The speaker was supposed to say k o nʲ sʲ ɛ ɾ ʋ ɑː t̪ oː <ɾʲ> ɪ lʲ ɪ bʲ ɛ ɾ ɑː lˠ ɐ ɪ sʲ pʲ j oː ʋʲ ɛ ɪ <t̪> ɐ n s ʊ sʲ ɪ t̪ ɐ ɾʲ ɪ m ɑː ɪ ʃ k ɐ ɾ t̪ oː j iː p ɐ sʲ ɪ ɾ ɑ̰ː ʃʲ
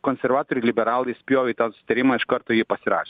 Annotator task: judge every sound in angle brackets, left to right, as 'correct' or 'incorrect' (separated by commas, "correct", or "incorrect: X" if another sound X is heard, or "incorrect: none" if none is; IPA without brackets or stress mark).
correct, correct